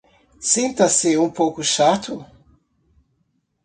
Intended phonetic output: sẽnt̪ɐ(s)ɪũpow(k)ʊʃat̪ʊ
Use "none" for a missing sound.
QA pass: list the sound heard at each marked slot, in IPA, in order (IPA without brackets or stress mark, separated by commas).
s, k